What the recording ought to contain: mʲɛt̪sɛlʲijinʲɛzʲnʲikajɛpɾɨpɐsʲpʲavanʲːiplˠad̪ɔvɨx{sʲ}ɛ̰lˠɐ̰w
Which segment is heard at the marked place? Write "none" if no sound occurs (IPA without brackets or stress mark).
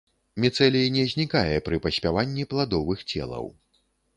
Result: t͡sʲ